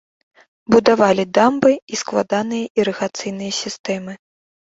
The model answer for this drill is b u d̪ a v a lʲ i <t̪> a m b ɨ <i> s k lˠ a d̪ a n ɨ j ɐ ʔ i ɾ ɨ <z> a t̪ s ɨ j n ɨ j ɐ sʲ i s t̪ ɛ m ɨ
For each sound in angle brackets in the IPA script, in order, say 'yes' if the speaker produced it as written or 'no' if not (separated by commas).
no, yes, no